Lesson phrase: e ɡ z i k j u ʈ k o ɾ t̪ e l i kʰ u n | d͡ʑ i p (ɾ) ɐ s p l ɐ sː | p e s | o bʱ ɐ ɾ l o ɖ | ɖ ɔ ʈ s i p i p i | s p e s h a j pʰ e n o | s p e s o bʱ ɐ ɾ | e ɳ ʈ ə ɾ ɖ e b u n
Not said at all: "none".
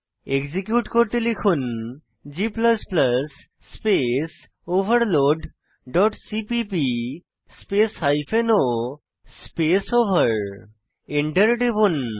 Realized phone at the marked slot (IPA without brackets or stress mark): l